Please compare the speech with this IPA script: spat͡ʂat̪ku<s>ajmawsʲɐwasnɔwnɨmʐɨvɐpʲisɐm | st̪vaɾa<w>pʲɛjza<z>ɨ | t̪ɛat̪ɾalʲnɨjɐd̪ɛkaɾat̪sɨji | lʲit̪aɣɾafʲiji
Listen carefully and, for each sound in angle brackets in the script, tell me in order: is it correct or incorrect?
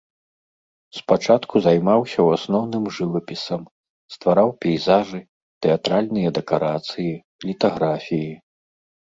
incorrect: z, correct, incorrect: ʐ

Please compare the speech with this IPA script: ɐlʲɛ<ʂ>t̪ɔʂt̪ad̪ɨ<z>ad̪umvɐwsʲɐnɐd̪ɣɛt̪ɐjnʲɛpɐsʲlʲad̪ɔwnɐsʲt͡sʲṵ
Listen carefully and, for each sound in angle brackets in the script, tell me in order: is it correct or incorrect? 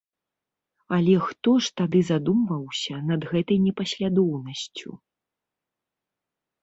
incorrect: x, correct

